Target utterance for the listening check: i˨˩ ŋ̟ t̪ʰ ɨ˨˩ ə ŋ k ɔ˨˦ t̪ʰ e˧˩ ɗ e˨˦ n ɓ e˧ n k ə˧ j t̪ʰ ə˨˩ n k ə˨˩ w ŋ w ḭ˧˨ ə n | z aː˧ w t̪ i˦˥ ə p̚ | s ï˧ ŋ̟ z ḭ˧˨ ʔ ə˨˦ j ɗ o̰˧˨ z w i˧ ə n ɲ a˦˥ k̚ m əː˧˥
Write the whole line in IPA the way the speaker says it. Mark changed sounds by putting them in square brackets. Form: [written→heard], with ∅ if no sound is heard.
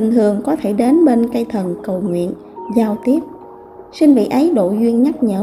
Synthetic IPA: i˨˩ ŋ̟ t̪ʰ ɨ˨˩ ə ŋ k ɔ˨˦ t̪ʰ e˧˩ ɗ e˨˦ n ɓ e˧ n k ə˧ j t̪ʰ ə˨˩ n k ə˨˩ w ŋ w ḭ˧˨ ə n | z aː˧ w t̪ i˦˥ ə p̚ | s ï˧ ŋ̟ [z→v] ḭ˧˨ ʔ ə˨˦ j ɗ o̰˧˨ z w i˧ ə n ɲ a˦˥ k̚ [m→ɲ] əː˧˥